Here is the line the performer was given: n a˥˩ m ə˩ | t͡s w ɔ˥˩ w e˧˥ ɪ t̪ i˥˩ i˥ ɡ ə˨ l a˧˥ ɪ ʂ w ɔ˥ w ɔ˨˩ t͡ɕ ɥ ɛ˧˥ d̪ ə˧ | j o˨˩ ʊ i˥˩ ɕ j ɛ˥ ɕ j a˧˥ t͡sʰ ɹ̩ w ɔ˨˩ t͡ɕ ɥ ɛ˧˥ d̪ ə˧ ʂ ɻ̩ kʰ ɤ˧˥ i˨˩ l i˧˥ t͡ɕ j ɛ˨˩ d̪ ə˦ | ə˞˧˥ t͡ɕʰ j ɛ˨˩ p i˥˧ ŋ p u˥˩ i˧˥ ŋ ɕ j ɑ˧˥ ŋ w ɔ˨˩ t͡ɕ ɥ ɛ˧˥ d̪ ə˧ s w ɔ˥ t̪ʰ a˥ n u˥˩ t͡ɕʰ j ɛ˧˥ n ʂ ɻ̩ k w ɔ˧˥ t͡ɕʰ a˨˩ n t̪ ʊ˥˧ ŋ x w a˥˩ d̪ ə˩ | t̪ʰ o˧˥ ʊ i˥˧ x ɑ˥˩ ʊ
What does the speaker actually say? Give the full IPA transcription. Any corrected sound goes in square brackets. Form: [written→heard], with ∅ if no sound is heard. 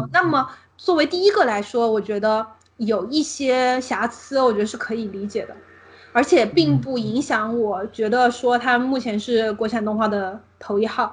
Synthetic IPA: n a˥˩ m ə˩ | t͡s w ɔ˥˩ w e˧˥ ɪ t̪ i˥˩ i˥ ɡ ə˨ l a˧˥ ɪ ʂ w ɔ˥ w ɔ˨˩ t͡ɕ ɥ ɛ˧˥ d̪ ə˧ | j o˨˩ ʊ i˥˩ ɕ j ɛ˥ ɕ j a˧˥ t͡sʰ ɹ̩ w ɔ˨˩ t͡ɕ ɥ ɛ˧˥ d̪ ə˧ ʂ ɻ̩ kʰ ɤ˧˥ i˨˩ l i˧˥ t͡ɕ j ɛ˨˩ d̪ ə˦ | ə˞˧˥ t͡ɕʰ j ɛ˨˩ p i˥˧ ŋ p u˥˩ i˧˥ ŋ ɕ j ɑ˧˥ ŋ w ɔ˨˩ t͡ɕ ɥ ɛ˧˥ d̪ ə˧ [s→ʂ] w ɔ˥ t̪ʰ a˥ [n→m] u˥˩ t͡ɕʰ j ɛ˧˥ n ʂ ɻ̩ k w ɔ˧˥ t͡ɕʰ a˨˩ n t̪ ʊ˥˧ ŋ x w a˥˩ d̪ ə˩ | t̪ʰ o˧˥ ʊ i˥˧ x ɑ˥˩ ʊ